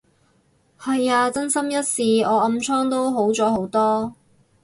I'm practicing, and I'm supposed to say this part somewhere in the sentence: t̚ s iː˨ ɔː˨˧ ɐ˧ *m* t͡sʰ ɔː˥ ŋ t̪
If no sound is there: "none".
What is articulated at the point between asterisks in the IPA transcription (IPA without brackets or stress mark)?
m